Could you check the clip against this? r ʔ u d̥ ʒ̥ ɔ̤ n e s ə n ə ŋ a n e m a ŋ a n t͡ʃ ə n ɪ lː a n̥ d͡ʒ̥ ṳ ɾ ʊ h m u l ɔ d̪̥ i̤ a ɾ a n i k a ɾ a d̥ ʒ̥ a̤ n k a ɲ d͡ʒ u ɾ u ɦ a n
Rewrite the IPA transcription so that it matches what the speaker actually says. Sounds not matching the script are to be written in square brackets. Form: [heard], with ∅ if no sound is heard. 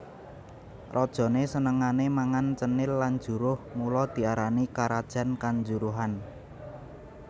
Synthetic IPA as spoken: r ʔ [ɔ] d̥ ʒ̥ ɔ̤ n e s ə n ə ŋ a n e m a ŋ a n t͡ʃ ə n ɪ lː a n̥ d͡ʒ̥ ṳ ɾ ʊ h m u l ɔ d̪̥ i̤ a ɾ a n i k a ɾ a d̥ ʒ̥ a̤ n k a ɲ d͡ʒ u ɾ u ɦ a n